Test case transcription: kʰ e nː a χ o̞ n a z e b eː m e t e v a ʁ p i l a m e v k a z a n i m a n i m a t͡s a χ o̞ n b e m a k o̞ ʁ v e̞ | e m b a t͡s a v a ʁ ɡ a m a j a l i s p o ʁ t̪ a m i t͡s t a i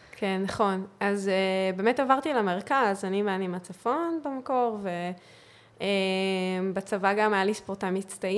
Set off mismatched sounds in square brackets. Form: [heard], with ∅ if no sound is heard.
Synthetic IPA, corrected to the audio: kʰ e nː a χ o̞ n a z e b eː m e t [a] v a ʁ [t] i l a m e [ʁ] k a z a n i m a n i m a t͡s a [f] o̞ n b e m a k o̞ ʁ v e̞ | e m b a t͡s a v a [∅] ɡ a m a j a l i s p o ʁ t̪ a m i t͡s t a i